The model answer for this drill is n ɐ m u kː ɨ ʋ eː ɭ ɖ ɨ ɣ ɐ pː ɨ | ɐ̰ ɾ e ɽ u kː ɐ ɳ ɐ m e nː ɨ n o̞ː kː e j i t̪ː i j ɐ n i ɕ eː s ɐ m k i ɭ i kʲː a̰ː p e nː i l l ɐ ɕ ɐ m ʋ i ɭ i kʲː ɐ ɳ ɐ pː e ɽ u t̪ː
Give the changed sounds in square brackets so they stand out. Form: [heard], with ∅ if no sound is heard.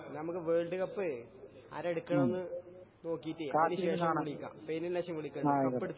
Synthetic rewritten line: n ɐ m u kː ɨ ʋ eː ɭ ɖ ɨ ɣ ɐ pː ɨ | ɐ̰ ɾ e ɽ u kː ɐ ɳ ɐ m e nː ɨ n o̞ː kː [i] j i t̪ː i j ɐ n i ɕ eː [ʂ] ɐ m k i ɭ i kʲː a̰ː p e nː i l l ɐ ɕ ɐ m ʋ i ɭ i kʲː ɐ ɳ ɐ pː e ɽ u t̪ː